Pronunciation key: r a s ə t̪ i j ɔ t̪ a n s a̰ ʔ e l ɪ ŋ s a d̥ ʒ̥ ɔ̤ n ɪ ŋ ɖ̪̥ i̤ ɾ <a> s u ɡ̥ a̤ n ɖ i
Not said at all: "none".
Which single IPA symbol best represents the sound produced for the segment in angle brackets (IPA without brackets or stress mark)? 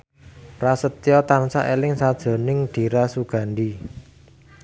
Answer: a